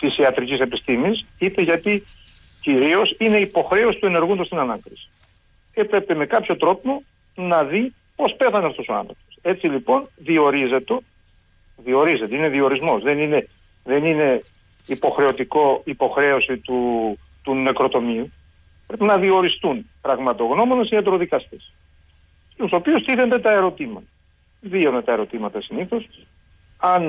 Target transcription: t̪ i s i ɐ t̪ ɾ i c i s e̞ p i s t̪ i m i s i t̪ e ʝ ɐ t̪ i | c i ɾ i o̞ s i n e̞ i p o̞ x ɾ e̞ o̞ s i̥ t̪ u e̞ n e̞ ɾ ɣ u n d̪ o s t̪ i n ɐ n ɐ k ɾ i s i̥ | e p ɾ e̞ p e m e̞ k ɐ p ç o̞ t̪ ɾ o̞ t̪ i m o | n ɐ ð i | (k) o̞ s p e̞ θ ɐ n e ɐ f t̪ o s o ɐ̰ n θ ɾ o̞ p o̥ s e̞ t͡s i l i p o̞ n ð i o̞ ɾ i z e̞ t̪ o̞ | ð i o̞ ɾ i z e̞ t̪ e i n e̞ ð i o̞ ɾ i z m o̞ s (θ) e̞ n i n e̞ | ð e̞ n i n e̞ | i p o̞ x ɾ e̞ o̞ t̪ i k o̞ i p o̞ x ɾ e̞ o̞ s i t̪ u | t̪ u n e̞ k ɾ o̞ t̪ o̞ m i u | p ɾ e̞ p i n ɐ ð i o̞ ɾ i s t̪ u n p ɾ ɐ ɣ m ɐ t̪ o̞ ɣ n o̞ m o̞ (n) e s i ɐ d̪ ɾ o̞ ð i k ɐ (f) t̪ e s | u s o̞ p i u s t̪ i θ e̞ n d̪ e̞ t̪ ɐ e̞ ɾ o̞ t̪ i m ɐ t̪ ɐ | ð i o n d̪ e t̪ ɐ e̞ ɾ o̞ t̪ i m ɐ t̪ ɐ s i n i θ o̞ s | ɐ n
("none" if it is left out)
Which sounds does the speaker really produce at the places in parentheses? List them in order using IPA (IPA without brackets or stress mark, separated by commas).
p, ð, n, s